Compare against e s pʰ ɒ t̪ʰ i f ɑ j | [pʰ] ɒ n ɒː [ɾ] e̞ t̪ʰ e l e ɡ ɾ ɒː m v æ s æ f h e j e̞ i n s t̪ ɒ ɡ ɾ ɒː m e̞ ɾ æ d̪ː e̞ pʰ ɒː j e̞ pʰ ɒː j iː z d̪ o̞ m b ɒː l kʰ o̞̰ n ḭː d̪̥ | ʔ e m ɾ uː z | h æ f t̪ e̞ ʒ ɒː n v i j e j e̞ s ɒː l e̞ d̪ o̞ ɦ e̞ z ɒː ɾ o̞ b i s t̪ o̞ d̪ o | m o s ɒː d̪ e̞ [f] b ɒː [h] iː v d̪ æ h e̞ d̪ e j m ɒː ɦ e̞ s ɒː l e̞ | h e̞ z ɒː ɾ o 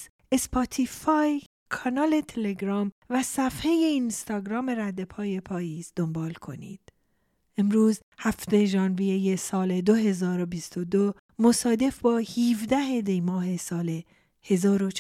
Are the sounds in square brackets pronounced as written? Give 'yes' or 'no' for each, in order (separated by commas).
no, no, yes, yes